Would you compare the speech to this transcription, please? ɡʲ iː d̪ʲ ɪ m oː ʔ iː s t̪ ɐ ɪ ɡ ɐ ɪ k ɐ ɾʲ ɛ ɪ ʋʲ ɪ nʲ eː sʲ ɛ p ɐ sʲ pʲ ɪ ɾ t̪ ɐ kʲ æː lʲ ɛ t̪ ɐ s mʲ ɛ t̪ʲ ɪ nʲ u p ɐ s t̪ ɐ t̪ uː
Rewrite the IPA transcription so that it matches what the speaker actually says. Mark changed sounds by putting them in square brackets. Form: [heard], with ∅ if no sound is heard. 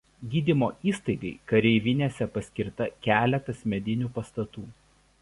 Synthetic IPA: ɡʲ iː d̪ʲ ɪ m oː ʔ iː s t̪ ɐ ɪ ɡ ɐ ɪ k ɐ ɾʲ ɛ ɪ ʋʲ ɪ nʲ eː sʲ ɛ p ɐ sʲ [kʲ] ɪ ɾ t̪ ɐ kʲ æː lʲ ɛ t̪ ɐ s mʲ ɛ [d̪ʲ] ɪ nʲ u p ɐ s t̪ ɐ t̪ uː